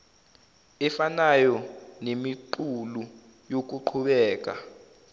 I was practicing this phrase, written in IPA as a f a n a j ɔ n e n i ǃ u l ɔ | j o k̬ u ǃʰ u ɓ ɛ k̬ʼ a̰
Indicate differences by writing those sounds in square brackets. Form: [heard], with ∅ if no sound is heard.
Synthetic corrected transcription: [ɛ] f a n a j ɔ n e [m] i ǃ u l [u] | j o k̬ u ǃʰ u ɓ [ɛː] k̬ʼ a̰